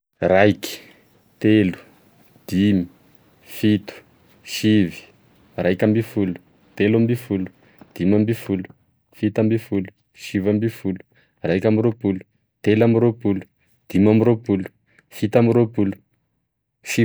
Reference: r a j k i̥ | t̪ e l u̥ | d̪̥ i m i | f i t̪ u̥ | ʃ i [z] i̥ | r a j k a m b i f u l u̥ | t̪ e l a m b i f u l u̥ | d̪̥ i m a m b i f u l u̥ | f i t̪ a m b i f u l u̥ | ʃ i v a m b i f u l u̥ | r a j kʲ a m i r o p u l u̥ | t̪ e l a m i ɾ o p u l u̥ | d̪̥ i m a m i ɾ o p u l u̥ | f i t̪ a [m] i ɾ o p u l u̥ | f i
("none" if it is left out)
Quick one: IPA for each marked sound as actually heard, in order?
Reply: v, m

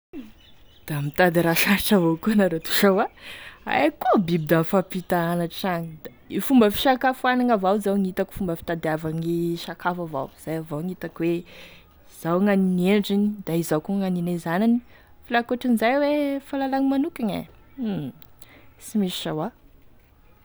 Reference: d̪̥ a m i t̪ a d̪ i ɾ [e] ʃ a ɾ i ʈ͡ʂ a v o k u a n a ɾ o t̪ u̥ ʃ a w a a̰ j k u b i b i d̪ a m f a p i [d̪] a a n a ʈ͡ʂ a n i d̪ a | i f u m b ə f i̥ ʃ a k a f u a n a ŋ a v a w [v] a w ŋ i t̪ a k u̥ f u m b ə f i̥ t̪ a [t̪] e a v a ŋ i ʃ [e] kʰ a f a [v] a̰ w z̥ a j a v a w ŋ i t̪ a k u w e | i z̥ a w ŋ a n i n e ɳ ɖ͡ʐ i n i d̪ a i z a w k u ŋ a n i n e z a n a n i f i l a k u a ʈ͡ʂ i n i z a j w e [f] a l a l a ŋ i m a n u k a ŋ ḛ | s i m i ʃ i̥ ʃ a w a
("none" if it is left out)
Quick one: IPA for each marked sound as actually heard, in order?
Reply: a, t̪, z, d̪, a, v, f

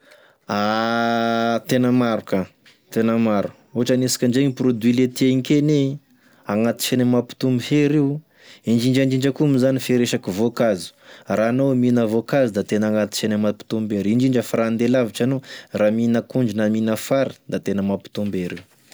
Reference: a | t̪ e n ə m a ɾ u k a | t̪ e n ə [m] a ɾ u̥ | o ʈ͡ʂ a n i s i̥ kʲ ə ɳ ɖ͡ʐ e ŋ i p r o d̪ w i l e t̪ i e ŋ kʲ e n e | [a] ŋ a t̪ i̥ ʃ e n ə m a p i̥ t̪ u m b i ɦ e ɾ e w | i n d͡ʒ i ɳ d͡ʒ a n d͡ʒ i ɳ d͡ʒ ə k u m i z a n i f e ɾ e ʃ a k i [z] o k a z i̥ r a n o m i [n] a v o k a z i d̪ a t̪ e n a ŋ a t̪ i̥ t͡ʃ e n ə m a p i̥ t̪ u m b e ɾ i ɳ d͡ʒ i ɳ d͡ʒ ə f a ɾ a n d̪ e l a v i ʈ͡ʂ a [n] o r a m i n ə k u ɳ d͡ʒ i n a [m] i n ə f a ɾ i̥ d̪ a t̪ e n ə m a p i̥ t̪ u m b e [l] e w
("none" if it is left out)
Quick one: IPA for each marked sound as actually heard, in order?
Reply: m, a, v, n, n, m, ɾ

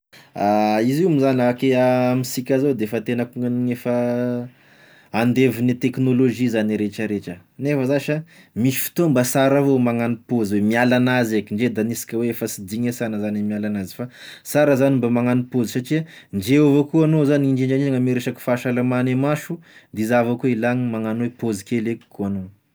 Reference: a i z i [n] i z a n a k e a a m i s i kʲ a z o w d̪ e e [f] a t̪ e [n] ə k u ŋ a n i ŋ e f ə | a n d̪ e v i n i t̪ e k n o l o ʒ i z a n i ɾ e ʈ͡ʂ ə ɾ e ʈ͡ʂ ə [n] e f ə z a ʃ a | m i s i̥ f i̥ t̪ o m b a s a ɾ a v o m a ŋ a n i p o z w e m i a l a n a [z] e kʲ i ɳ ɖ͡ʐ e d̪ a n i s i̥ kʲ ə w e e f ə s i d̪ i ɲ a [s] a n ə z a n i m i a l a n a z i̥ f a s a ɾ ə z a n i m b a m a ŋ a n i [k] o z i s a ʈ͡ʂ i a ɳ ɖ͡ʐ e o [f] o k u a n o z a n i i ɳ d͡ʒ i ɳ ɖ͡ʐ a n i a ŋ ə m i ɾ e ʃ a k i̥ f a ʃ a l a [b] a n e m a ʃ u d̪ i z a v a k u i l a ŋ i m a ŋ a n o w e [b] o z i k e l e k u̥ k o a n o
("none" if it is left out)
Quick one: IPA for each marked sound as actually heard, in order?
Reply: m, f, n, n, z, s, p, v, m, p

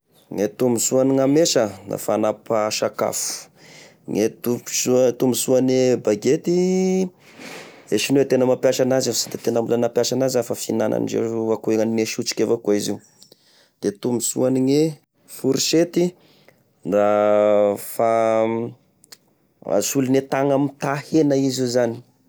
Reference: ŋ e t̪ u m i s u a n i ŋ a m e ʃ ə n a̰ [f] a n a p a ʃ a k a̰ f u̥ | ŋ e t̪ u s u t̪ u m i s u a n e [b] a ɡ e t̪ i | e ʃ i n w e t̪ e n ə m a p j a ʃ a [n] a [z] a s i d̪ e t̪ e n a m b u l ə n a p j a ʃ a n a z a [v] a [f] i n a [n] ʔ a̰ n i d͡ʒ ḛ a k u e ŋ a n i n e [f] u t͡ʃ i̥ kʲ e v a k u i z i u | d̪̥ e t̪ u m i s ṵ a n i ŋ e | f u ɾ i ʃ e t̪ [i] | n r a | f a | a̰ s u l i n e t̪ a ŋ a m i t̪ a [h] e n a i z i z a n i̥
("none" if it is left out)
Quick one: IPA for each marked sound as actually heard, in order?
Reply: f, b, n, z, f, f, n, ʃ, i, h

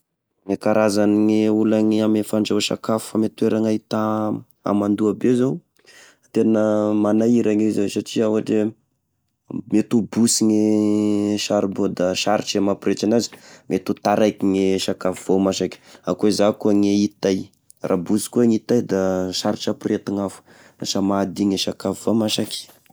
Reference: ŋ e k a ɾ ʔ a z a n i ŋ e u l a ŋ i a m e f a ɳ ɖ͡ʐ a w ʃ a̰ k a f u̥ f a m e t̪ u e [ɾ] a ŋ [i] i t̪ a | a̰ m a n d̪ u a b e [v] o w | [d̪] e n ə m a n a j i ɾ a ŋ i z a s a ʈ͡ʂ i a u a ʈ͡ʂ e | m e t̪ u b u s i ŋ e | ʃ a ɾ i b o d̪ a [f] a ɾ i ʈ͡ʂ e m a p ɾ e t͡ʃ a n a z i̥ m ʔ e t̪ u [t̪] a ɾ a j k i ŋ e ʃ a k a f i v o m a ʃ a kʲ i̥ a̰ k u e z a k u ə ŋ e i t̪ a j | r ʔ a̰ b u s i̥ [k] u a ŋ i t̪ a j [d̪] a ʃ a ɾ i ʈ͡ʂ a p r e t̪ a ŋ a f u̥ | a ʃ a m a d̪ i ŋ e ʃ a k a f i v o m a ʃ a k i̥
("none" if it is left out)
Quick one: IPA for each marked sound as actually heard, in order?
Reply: ɾ, a, z, t̪, ʃ, t̪, k, d̪

